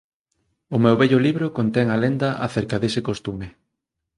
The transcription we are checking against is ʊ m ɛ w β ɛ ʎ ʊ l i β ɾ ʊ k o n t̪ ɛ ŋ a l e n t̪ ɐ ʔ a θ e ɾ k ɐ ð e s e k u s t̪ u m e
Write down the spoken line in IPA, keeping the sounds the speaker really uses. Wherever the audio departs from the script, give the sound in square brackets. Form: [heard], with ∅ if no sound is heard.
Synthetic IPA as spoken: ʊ m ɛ w β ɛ ʎ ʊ l i β ɾ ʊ k o n t̪ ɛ ŋ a l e n [d̪] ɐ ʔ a θ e ɾ k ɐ ð e s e k [o] s t̪ u m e